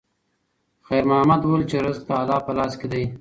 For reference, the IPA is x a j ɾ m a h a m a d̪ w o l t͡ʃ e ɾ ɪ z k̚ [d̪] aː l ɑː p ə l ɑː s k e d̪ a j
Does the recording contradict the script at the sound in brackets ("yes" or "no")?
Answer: yes